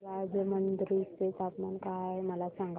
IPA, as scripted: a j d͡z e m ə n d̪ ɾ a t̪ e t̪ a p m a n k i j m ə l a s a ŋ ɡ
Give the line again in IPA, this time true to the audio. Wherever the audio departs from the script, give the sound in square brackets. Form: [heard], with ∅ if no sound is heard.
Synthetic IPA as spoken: a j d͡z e m ə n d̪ ɾ [i] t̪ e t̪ a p m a n k [a] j m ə l a s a ŋ ɡ